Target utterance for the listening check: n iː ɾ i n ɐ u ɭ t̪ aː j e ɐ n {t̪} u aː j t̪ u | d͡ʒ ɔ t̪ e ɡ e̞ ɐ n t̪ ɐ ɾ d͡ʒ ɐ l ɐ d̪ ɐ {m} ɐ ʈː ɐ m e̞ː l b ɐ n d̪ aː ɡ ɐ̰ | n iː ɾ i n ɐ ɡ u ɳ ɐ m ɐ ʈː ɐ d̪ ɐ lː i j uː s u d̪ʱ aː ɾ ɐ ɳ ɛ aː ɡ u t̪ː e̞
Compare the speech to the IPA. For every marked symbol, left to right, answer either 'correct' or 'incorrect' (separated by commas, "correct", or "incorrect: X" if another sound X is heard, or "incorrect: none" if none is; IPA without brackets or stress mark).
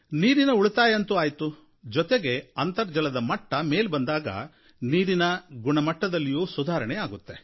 correct, correct